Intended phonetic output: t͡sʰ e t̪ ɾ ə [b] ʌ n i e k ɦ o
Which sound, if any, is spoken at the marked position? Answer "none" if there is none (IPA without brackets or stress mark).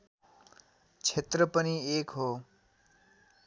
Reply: p